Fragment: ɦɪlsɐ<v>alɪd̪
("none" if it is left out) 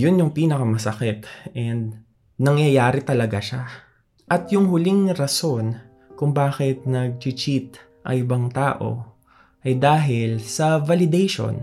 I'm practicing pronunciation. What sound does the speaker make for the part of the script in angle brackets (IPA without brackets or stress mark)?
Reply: v